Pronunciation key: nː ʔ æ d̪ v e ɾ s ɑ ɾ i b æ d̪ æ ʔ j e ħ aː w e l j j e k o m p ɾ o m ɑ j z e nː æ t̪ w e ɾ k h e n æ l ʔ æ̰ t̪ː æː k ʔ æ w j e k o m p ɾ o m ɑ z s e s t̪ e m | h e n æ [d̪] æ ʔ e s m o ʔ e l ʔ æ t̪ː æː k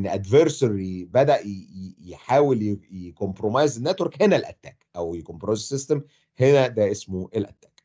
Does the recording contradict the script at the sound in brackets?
no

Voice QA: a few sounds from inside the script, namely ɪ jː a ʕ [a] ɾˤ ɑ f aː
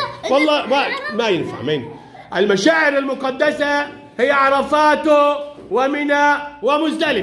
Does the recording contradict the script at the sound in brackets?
yes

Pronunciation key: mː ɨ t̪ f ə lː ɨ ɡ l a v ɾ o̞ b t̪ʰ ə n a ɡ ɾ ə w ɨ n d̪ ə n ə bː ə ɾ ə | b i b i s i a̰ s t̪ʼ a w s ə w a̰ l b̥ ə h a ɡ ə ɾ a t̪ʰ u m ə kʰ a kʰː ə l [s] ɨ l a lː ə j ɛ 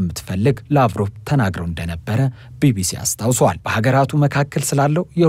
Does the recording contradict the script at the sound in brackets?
no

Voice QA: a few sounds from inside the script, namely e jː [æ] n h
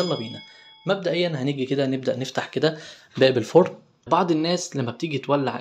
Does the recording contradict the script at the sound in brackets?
no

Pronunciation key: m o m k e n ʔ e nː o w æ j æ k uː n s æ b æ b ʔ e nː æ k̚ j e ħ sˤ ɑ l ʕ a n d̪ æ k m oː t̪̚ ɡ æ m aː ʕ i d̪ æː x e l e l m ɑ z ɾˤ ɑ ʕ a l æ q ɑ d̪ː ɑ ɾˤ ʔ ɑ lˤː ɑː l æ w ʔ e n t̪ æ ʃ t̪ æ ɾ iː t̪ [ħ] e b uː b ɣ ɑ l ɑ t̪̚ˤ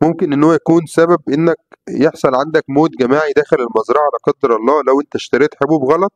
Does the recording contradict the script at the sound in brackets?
no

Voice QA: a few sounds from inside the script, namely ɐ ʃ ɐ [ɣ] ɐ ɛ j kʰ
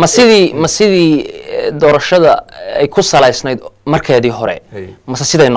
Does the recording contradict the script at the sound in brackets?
yes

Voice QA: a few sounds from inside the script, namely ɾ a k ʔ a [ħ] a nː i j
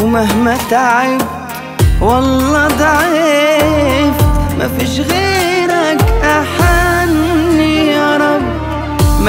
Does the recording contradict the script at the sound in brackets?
no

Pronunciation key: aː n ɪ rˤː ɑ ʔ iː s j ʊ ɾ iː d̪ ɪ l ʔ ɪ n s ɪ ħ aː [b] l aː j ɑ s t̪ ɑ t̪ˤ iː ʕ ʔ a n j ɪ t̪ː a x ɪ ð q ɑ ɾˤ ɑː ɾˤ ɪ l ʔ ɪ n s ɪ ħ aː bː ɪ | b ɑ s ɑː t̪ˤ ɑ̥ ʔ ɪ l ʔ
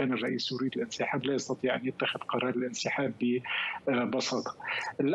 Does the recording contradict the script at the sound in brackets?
no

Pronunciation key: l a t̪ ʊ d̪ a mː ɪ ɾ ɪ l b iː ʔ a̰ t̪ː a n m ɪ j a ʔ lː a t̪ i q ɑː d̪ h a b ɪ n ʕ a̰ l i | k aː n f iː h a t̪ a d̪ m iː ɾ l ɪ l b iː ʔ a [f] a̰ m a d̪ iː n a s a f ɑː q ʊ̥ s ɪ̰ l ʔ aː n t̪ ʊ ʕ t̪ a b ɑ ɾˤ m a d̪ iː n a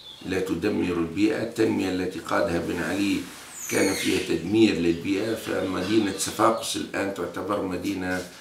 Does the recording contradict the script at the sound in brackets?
no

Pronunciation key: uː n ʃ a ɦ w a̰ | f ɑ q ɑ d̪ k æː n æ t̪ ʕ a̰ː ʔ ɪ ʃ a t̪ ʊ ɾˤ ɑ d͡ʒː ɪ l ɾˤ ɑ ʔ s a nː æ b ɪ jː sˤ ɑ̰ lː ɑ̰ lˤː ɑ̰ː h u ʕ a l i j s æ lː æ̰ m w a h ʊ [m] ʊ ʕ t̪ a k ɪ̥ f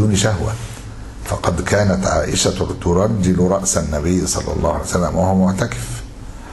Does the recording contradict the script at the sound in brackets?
no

